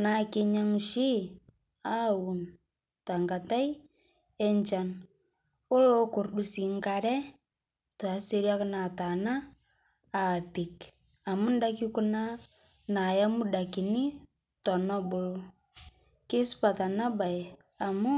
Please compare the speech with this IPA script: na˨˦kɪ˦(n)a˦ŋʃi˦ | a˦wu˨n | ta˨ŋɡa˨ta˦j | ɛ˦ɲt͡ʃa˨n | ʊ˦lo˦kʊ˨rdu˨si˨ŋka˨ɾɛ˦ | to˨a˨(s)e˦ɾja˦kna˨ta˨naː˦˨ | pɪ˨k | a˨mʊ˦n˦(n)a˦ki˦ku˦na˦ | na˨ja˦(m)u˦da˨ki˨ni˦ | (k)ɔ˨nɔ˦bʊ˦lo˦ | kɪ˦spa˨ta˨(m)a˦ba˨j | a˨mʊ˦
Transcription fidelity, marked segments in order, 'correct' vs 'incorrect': incorrect, correct, incorrect, correct, incorrect, incorrect

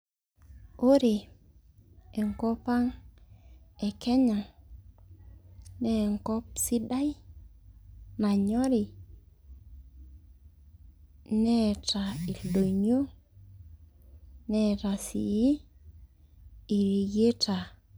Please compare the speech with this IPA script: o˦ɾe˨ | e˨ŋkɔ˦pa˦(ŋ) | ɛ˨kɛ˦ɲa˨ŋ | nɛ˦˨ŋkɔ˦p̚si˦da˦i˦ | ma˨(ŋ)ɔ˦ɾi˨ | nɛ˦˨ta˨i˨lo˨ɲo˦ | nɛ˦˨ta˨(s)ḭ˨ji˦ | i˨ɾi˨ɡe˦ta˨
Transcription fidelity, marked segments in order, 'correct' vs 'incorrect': correct, incorrect, correct

